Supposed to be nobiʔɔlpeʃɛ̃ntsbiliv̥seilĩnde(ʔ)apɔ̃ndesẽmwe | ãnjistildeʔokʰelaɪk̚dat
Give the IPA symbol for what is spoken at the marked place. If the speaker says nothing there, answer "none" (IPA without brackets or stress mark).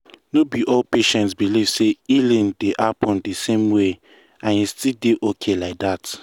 ʔ